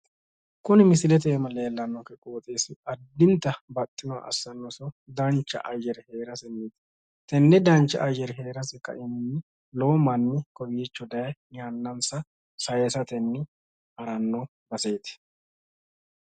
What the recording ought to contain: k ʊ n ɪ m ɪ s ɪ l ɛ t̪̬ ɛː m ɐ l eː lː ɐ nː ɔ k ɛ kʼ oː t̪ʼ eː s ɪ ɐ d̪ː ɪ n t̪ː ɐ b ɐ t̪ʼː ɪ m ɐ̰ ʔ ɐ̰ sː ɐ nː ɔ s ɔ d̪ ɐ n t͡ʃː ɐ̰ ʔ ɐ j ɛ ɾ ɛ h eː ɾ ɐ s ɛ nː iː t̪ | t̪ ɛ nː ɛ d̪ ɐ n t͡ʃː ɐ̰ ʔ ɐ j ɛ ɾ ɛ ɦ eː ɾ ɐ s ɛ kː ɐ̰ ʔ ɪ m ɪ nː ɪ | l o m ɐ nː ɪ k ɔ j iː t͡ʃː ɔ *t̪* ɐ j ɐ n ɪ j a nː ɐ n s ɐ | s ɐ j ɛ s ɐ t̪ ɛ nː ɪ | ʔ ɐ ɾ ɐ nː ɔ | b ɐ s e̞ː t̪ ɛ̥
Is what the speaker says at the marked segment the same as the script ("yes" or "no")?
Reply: no